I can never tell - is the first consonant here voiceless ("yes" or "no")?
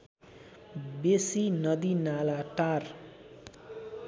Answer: no